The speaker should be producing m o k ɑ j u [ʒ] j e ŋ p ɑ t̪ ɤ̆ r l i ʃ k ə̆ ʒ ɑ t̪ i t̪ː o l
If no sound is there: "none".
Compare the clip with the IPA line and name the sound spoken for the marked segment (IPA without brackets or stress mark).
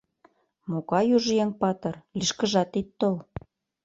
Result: ʒ